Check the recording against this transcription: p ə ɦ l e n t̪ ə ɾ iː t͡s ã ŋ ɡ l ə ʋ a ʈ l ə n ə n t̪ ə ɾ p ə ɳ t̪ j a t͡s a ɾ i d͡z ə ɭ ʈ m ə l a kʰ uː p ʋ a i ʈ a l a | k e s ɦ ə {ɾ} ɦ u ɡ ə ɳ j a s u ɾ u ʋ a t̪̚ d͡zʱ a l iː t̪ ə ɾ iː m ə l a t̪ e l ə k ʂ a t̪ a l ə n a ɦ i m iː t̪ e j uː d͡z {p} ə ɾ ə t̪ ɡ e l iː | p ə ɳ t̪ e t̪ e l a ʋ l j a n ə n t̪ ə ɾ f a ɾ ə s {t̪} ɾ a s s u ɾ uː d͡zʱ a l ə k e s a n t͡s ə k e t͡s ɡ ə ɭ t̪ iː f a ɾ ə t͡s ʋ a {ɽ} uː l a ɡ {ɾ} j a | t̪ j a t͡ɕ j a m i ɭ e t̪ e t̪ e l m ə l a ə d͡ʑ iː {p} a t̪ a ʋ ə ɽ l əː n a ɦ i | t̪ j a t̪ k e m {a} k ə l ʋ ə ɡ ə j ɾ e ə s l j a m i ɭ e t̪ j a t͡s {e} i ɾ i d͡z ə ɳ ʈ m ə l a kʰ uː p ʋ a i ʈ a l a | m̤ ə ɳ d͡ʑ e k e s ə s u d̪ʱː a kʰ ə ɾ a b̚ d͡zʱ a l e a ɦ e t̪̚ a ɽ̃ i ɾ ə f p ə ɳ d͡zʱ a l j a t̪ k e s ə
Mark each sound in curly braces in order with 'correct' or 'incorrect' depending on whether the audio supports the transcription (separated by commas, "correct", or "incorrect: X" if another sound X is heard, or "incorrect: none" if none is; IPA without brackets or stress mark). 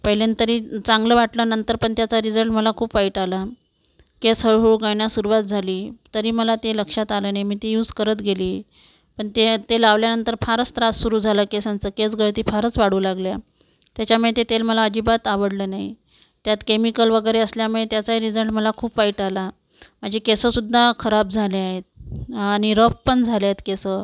incorrect: ɭ, incorrect: k, correct, correct, incorrect: l, incorrect: b, incorrect: i, incorrect: a